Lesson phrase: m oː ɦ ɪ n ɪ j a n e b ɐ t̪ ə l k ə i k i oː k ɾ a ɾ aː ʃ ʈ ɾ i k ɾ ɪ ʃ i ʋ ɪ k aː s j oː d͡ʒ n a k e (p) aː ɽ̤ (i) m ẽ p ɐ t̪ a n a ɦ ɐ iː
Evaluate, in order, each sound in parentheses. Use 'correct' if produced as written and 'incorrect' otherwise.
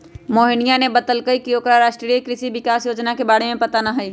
incorrect: b, incorrect: e

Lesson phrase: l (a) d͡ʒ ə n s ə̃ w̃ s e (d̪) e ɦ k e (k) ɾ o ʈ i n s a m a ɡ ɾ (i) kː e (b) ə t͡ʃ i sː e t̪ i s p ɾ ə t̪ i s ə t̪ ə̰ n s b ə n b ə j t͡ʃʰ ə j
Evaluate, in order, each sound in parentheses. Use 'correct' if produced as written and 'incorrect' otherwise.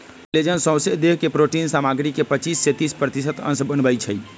incorrect: e, correct, incorrect: p, correct, incorrect: p

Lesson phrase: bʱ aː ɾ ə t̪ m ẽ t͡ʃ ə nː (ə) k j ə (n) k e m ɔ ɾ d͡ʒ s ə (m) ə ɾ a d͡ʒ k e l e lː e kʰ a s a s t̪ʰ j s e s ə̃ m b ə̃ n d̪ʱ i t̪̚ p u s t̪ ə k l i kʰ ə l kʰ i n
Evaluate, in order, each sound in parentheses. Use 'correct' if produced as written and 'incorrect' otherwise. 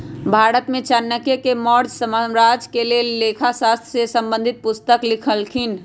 correct, incorrect: none, correct

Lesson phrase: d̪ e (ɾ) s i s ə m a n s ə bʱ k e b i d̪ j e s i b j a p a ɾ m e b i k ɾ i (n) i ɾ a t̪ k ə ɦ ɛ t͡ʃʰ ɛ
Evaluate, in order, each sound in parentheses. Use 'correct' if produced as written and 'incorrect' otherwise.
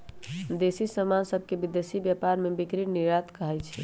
incorrect: none, correct

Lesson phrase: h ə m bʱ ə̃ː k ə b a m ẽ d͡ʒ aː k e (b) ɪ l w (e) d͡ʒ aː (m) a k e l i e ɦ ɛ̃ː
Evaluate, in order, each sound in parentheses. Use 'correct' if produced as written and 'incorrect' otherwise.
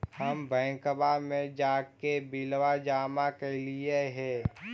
correct, incorrect: a, correct

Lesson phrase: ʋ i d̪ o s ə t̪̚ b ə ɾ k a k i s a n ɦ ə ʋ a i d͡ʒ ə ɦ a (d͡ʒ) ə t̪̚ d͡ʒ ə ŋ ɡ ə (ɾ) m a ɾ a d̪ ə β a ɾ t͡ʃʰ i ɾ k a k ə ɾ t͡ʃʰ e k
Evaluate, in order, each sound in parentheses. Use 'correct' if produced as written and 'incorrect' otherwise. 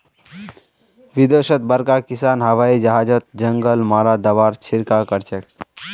correct, incorrect: l

